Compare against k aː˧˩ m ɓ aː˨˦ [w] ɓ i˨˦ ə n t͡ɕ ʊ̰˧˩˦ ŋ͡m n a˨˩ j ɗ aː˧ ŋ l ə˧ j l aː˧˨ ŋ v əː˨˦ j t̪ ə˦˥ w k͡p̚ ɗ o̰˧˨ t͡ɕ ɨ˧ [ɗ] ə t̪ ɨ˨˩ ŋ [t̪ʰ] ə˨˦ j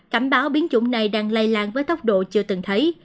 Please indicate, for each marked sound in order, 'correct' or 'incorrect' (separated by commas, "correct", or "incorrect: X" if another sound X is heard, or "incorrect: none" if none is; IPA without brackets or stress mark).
correct, incorrect: none, correct